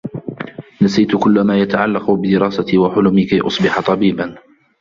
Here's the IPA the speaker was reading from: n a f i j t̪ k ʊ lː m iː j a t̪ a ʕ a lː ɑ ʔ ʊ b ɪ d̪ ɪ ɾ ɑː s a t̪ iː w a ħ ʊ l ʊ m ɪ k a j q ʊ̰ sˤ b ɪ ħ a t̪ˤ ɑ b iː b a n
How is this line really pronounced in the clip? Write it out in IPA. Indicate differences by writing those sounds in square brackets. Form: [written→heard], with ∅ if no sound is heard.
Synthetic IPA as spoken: n a [f→s] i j t̪ k ʊ lː m [iː→aː] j a t̪ a ʕ a lː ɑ [ʔ→q] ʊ b ɪ d̪ ɪ ɾ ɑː s a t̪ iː w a ħ ʊ l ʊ m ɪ k a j [q→ʔ] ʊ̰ sˤ b ɪ ħ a t̪ˤ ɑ b iː b a n